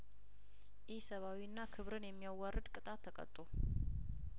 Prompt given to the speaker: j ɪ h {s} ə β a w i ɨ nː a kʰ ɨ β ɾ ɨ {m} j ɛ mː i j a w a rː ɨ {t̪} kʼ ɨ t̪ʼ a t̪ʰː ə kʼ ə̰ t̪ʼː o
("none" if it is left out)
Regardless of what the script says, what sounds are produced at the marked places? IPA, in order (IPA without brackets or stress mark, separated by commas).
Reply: s, n, d̪